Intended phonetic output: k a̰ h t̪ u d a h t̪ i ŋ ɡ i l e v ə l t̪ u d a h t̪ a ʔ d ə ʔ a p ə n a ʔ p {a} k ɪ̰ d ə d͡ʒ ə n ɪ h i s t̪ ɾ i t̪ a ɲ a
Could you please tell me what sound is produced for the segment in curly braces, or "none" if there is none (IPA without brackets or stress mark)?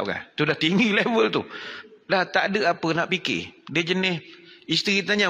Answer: i